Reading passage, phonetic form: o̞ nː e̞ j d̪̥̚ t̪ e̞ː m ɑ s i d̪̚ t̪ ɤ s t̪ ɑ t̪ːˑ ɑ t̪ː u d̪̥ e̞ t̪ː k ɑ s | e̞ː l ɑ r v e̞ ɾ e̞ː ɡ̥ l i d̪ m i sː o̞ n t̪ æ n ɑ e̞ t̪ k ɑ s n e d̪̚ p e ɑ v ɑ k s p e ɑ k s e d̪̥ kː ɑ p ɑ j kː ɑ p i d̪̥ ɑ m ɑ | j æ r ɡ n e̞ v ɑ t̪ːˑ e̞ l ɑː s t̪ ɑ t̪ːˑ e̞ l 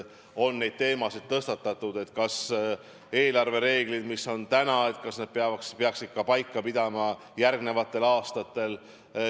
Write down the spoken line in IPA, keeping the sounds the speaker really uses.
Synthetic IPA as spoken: o̞ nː e̞ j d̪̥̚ t̪ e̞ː m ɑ s i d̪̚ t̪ ɤ s t̪ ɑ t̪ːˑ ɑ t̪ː u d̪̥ e̞ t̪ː k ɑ s | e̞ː l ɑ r v e̞ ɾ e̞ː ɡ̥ l i d̪ m i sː o̞ n t̪ æ n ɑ e̞ t̪ k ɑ s n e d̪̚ p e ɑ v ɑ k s p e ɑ k s i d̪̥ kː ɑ p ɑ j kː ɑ p i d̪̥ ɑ m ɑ | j æ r ɡ n e̞ v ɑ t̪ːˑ e̞ l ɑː s t̪ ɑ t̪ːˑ e̞ l